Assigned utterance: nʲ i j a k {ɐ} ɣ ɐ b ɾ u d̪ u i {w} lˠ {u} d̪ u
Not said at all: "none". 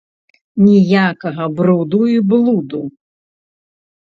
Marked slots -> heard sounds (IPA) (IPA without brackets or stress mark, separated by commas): ɐ, b, u